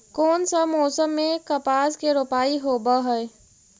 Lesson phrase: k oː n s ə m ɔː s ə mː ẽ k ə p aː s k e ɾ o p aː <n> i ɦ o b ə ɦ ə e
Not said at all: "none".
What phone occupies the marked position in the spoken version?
none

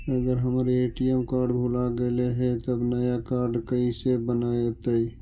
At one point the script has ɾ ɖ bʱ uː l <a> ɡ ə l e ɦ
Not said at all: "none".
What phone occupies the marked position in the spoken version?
a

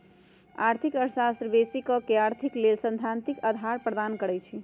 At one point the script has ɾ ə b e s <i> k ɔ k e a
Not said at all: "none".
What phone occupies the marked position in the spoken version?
i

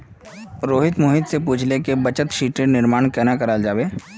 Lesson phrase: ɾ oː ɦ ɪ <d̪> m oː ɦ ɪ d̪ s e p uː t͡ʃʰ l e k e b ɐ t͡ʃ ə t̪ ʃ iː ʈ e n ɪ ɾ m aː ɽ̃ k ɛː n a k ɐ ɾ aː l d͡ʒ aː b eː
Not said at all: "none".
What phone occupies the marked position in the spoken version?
t̪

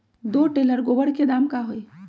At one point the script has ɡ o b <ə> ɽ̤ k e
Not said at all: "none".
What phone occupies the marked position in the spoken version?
ə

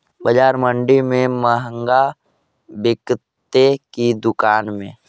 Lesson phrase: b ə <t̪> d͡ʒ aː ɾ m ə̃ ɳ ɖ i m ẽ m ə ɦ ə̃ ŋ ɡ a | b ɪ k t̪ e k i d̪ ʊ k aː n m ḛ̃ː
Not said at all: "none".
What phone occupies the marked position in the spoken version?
none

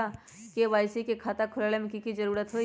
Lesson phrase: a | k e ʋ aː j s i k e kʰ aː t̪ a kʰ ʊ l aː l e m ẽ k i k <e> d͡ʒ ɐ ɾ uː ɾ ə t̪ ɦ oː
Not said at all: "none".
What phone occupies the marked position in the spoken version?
i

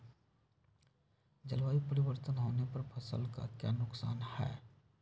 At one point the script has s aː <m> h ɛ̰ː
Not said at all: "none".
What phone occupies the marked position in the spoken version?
n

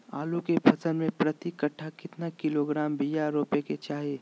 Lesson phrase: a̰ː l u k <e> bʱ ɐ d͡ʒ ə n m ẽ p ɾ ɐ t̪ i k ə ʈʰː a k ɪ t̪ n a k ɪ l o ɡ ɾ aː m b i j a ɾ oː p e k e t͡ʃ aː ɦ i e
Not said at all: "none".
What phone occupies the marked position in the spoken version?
e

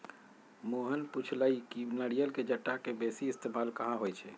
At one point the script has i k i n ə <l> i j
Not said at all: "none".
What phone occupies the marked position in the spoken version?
ɽ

